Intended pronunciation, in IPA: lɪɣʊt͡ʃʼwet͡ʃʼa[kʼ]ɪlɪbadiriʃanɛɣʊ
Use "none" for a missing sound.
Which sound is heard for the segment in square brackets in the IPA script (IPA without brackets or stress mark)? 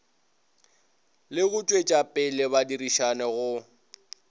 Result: pʼ